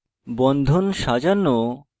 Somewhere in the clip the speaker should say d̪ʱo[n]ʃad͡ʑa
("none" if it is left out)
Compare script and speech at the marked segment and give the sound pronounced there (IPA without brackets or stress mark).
n